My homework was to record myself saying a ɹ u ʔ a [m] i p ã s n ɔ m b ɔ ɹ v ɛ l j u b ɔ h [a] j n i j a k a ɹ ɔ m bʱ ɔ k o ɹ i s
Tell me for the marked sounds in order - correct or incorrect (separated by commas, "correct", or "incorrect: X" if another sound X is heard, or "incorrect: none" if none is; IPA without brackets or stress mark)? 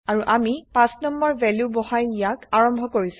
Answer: correct, correct